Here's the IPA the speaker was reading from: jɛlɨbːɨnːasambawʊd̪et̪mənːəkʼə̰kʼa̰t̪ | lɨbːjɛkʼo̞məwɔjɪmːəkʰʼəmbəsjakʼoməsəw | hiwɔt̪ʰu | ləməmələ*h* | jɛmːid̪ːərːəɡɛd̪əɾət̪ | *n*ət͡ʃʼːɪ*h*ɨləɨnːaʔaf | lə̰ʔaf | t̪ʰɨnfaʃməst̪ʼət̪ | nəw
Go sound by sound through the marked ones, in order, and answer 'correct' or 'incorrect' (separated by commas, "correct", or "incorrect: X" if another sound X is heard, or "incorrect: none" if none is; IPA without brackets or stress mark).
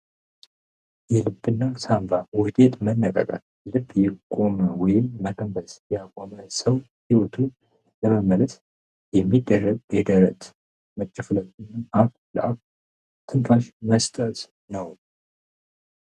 incorrect: s, incorrect: m, incorrect: f